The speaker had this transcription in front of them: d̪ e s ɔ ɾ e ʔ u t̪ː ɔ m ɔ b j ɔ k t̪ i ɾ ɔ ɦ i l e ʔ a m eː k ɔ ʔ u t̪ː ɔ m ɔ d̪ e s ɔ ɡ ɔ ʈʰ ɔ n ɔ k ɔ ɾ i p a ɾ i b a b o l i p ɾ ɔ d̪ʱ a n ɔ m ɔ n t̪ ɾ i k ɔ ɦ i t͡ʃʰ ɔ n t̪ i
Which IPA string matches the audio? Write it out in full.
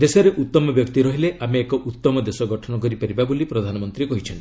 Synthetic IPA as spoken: d̪ e s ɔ ɾ e ʔ u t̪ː ɔ m ɔ b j ɔ k t̪ i ɾ ɔ ɦ i l e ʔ a m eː k ɔ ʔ u t̪ː ɔ m ɔ d̪ e s ɔ ɡ ɔ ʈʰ ɔ n ɔ k ɔ ɾ i p a ɾ i b a b o l i p ɾ ɔ d̪ʱ a n ɔ m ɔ n t̪ ɾ i k ɔ ɦ i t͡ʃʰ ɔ n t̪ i